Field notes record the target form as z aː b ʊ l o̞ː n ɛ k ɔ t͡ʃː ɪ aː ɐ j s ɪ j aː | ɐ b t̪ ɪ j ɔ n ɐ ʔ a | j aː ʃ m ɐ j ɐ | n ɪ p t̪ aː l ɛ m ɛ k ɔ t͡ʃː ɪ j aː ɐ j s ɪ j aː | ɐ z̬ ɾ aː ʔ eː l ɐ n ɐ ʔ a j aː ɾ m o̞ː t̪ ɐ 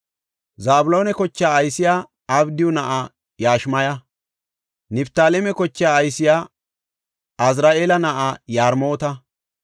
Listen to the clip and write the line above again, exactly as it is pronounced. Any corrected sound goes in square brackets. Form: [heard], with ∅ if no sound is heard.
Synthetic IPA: z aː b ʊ l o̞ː n ɛ k ɔ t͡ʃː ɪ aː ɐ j s ɪ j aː | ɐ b [d̪] ɪ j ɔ n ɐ ʔ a | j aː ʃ m ɐ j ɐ | n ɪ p t̪ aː l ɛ m ɛ k ɔ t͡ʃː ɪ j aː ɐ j s ɪ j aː | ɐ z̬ ɾ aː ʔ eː l ɐ n ɐ ʔ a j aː ɾ m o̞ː t̪ ɐ